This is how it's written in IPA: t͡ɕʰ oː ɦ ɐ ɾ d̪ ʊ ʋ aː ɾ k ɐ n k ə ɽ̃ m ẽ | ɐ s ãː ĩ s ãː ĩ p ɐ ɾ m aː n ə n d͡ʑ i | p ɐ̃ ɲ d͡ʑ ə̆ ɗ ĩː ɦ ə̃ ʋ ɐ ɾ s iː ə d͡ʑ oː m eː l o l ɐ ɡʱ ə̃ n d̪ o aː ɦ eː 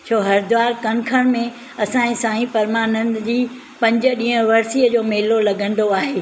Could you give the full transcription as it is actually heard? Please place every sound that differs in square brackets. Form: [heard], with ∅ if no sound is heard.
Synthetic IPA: t͡ɕʰ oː ɦ ɐ ɾ d̪ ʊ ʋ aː ɾ k ɐ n [kʰ] ə ɽ̃ m ẽ | ɐ s ãː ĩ s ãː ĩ p ɐ ɾ m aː n ə n d͡ʑ [iː] | p ɐ̃ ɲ d͡ʑ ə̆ ɗ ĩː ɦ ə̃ ʋ ɐ ɾ s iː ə d͡ʑ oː m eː l o l ɐ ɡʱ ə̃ n d̪ o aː ɦ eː